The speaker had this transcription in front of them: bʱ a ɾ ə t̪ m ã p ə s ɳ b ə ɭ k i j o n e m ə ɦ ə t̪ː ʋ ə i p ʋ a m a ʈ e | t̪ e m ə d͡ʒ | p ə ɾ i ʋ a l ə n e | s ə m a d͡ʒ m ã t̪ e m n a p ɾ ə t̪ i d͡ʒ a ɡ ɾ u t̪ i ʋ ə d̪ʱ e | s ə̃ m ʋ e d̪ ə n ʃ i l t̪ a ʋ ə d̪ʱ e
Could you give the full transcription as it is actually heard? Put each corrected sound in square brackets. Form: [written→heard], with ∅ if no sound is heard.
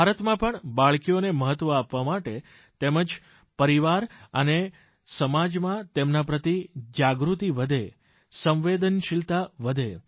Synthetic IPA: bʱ a ɾ ə t̪ m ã p ə [s→∅] ɳ b [ə→a] ɭ k i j o n e m ə ɦ ə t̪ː ʋ ə [i→a] p ʋ a m a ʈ e | t̪ e m ə d͡ʒ | p ə ɾ i ʋ a [l→ɾ] ə n e | s ə m a d͡ʒ m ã t̪ e m n a p ɾ ə t̪ i d͡ʒ a ɡ ɾ u t̪ i ʋ ə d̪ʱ e | s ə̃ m ʋ e d̪ ə n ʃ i l t̪ a ʋ ə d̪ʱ e